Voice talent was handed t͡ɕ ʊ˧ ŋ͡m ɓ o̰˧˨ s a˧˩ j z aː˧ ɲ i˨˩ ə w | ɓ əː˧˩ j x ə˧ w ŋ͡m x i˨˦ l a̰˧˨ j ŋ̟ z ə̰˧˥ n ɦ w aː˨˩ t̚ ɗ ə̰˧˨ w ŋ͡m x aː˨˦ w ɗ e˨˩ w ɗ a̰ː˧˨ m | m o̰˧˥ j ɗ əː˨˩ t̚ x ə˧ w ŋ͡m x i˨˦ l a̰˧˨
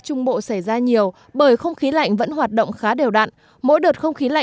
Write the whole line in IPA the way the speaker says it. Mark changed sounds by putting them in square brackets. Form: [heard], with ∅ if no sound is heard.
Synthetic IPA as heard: t͡ɕ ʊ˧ ŋ͡m ɓ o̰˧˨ s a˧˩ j z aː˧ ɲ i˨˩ ə w | ɓ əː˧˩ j x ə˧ w ŋ͡m x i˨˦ l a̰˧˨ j ŋ̟ [v] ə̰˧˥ n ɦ w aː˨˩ t̚ ɗ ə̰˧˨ w ŋ͡m x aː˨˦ [∅] ɗ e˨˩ w ɗ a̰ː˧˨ [n] | m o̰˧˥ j ɗ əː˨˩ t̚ x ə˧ w ŋ͡m x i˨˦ l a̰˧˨